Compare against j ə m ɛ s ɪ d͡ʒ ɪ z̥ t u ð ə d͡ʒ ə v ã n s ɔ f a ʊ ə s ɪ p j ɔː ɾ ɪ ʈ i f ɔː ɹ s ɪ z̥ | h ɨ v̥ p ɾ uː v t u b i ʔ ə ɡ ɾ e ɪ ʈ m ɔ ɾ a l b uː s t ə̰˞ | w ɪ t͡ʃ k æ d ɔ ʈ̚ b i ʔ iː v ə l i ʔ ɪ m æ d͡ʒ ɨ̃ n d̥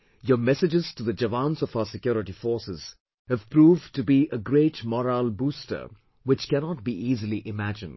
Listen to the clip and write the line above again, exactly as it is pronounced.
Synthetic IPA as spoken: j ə m ɛ s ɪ d͡ʒ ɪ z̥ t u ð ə d͡ʒ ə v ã n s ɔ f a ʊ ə s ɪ k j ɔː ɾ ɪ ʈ i f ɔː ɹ s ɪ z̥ | h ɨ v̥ p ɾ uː v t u b i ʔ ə ɡ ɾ e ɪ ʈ m ɔ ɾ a l b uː s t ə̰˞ | w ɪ t͡ʃ k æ n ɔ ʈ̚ b i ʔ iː z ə l i ʔ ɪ m æ d͡ʒ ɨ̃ n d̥

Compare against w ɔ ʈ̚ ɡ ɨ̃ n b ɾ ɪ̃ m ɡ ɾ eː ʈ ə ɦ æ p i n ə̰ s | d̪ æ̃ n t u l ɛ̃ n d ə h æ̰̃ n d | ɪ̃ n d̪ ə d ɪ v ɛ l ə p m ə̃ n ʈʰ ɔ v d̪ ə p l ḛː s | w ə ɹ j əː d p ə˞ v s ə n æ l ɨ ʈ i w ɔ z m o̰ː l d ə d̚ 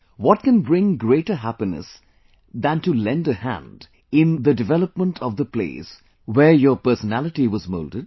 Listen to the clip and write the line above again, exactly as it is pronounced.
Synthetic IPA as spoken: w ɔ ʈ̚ k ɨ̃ n b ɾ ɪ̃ ŋ ɡ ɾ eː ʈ ə ɦ æ p i n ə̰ s | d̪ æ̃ n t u l ɛ̃ n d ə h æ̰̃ n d | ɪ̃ n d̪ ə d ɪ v ɛ l ə p m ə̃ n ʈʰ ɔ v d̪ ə p l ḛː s | w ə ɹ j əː p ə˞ s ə n æ l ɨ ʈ i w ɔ z m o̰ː l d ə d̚

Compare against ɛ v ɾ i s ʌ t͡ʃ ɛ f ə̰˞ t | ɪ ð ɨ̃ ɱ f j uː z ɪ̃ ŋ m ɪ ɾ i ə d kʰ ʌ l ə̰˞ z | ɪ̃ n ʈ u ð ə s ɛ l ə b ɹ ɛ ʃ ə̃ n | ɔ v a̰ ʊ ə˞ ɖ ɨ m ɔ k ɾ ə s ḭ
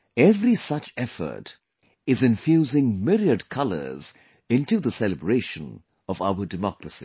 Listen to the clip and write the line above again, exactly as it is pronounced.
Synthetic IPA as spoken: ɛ v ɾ i s ʌ t͡ʃ ɛ f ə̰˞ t | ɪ z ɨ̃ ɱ f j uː z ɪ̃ ŋ m ɪ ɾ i ə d kʰ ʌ l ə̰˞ z | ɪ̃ n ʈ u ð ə s ɛ l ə b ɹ e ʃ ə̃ n | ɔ v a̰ ʊ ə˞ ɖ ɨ m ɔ k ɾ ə s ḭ

